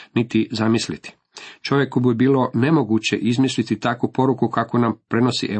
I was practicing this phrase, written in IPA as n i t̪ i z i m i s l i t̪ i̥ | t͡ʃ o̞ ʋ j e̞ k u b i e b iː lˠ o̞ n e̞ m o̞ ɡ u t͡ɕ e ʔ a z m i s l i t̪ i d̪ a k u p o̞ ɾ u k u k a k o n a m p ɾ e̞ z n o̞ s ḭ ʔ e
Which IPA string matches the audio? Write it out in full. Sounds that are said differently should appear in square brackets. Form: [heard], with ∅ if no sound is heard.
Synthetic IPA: n i t̪ i z [a] m i s l i t̪ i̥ | t͡ʃ o̞ ʋ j e̞ k u b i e b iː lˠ o̞ n e̞ m o̞ ɡ u t͡ɕ e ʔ [i] z m i s l i t̪ i [t̪] a k u p o̞ ɾ u k u k a k o n a m p ɾ e̞ [∅] n o̞ s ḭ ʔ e